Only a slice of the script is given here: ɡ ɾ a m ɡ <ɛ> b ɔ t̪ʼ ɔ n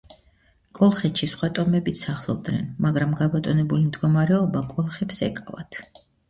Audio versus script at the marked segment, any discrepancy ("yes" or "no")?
yes